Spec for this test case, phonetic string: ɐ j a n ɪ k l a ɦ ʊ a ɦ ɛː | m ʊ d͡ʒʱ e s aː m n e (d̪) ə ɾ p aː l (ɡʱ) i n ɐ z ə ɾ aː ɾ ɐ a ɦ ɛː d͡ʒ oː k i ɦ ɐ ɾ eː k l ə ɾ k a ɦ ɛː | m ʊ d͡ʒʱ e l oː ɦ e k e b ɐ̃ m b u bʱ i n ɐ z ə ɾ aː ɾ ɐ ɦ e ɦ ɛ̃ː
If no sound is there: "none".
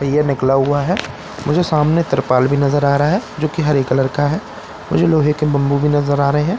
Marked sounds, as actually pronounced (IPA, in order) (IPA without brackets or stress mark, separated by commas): t̪, bʱ